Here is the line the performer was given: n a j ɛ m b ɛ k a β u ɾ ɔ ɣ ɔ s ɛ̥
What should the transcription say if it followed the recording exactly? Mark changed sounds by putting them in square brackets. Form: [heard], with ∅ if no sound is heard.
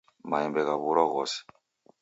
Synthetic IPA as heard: [m] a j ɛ m b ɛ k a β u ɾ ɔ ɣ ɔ s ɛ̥